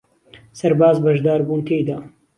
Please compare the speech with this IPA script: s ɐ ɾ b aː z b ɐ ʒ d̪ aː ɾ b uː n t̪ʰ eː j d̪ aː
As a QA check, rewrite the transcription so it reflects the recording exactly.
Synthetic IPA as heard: s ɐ ɾ b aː z b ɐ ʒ d̪ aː ɾ b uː n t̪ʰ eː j d̪ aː